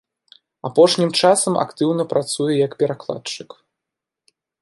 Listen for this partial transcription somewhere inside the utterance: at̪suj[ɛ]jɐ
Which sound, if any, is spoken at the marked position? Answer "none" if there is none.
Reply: ɛ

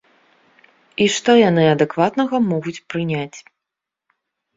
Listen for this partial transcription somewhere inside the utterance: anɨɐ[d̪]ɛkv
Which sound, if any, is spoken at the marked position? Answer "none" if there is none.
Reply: d̪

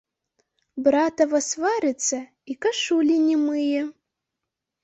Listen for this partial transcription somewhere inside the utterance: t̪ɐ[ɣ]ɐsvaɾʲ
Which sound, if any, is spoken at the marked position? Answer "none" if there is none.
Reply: v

